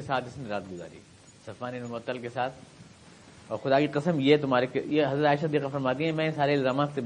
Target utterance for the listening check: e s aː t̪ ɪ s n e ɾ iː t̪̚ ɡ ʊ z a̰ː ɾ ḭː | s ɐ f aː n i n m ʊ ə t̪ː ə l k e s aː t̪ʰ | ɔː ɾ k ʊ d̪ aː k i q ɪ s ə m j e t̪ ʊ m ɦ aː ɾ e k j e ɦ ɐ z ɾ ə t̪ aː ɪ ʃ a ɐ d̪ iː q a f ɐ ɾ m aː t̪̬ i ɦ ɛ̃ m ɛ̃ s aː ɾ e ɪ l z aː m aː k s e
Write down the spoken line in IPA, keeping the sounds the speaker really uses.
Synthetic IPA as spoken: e s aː t̪ ɪ s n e ɾ aː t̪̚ ɡ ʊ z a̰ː ɾ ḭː | s ɐ f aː n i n m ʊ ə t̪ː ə l k e s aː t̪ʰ | ɔː ɾ x ʊ d̪ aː k i q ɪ s ə m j e t̪ ʊ m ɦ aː ɾ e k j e ɦ ɐ z ɾ ə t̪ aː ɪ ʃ a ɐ d̪ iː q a f ɐ ɾ m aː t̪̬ i ɦ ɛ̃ m ɛ̃ s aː ɾ e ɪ l z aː m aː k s e